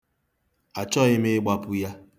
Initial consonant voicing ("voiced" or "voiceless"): voiceless